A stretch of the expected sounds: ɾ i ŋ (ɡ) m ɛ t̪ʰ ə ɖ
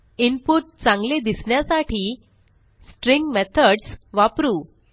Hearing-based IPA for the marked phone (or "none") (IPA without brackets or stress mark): ɡ